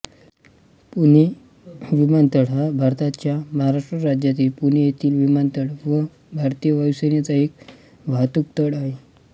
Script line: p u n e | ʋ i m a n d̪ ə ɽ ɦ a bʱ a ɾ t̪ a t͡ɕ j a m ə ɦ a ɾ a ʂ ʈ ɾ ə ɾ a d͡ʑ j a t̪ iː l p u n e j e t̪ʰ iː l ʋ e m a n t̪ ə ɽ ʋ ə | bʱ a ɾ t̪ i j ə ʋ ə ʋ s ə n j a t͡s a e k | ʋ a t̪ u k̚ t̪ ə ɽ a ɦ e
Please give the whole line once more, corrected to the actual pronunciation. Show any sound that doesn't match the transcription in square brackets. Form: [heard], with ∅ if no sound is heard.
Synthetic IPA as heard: p u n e | ʋ i m a n [t̪] ə ɽ ɦ a bʱ a ɾ t̪ a t͡ɕ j a m ə ɦ a ɾ a ʂ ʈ ɾ ə ɾ a d͡ʑ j a t̪ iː l p u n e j e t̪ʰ iː l ʋ [i] m a n t̪ ə ɽ ʋ ə | bʱ a ɾ t̪ i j ə ʋ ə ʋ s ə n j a t͡s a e k | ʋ a t̪ u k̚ t̪ ə ɽ a ɦ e